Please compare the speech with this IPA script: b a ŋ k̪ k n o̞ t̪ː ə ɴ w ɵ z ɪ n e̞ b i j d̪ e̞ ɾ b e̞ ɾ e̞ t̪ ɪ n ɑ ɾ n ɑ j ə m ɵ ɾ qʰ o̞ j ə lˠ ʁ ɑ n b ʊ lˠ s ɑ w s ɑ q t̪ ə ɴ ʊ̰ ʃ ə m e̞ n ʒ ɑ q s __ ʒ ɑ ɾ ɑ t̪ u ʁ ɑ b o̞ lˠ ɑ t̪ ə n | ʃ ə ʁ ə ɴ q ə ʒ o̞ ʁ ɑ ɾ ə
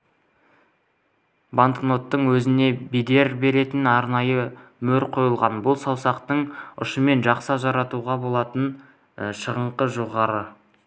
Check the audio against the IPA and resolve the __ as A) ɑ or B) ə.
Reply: A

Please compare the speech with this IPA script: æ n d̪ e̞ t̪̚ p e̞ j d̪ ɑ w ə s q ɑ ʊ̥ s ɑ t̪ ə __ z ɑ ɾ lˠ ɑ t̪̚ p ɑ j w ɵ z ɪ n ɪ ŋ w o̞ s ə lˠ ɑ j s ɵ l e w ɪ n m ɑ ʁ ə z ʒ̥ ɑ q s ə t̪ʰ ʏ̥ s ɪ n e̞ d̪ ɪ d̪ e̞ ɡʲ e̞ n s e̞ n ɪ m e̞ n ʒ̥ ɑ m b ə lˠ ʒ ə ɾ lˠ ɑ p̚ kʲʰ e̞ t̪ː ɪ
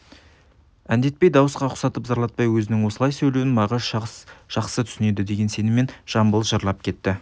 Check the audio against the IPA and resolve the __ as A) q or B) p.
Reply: B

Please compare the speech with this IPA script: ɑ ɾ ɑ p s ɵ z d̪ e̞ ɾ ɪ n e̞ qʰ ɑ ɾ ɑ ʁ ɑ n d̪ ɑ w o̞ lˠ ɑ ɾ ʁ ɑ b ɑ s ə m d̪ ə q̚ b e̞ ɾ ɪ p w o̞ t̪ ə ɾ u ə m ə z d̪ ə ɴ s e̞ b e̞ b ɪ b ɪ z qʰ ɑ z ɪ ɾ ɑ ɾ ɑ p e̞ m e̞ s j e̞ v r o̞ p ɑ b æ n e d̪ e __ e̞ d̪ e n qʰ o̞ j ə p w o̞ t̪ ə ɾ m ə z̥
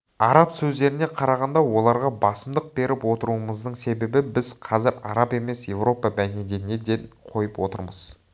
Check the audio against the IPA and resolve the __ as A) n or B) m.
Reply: A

